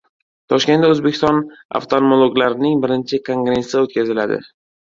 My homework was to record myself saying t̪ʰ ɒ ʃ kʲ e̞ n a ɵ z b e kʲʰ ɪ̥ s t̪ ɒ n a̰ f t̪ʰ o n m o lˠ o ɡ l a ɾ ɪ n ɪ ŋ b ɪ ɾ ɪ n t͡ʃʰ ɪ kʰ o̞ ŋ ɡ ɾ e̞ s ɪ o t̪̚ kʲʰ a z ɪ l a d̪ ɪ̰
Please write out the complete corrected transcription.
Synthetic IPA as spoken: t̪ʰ ɒ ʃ kʲ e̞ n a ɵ z b e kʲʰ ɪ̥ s t̪ ɒ n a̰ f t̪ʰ o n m o lˠ o ɡ l a ɾ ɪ n ɪ ŋ b ɪ ɾ ɪ n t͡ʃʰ ɪ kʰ o̞ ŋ ɡ ɾ e̞ s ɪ o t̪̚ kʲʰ a z ɪ l a d̪ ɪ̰